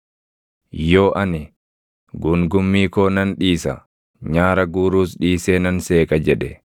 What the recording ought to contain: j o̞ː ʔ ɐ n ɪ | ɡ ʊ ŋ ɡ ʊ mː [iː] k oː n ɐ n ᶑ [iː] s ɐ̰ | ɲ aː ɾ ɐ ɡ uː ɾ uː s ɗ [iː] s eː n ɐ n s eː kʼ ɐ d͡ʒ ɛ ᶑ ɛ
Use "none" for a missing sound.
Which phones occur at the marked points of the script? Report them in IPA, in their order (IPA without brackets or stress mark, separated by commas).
iː, iː, iː